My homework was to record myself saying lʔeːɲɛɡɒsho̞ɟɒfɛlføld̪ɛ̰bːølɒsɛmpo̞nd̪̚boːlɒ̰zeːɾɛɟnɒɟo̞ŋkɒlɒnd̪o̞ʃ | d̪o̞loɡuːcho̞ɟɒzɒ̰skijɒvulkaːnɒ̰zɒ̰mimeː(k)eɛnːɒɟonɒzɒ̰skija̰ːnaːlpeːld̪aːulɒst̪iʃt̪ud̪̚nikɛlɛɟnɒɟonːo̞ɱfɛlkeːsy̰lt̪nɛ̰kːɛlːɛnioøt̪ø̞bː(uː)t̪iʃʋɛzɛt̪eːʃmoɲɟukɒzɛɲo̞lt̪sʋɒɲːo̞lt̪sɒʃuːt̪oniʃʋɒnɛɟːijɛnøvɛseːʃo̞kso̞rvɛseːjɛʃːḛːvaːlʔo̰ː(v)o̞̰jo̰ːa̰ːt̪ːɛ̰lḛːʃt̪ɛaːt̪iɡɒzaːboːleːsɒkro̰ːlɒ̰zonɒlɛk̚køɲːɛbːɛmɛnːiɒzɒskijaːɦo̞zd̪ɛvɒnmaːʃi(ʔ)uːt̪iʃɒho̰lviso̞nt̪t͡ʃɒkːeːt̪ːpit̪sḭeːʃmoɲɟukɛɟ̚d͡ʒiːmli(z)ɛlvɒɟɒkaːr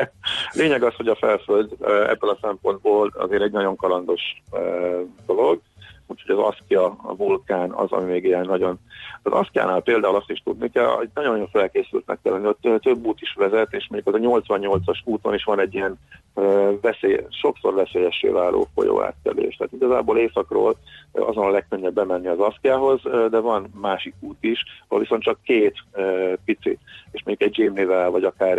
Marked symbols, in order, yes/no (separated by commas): no, yes, no, no, no